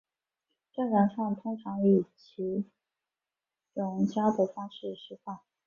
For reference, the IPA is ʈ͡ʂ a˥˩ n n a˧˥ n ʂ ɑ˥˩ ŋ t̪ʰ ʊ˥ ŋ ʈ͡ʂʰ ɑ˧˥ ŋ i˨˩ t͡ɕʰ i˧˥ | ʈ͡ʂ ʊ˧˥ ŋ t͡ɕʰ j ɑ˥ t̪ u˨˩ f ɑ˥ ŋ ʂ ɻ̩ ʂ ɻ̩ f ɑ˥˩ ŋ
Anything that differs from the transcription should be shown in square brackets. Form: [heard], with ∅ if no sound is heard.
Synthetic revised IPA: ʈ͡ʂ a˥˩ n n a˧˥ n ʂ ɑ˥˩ ŋ t̪ʰ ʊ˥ ŋ ʈ͡ʂʰ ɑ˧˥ ŋ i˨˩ t͡ɕʰ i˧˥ | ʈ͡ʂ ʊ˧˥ ŋ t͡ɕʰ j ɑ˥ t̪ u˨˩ f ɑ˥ ŋ ʂ ɻ̩ ʂ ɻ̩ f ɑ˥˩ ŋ